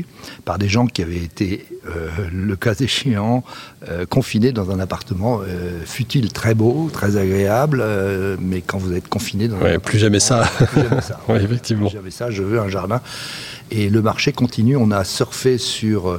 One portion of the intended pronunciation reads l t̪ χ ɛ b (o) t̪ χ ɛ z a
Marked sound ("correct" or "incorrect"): correct